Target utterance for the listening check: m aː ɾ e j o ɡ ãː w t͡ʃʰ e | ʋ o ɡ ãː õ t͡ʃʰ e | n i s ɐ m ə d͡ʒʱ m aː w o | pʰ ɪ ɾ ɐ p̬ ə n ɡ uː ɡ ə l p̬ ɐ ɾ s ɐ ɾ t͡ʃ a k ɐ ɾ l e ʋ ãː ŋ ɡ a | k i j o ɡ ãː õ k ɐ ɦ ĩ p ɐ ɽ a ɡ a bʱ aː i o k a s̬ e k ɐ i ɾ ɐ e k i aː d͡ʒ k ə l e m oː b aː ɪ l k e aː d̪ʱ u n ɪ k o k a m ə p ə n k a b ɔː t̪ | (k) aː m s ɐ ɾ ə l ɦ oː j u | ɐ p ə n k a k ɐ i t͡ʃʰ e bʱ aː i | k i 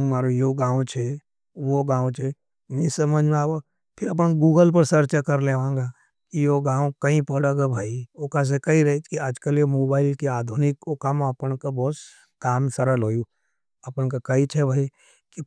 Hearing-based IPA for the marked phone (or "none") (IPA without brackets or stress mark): k